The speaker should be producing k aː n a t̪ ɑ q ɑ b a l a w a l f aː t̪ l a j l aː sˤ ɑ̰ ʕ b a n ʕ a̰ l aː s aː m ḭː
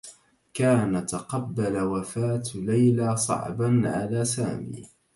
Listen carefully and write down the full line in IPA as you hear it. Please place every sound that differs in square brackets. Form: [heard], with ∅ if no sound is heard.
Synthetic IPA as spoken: k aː n a t̪ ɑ q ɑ [bː] a l a w a [∅] f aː t̪ l a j l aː sˤ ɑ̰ ʕ b a n ʕ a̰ l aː s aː m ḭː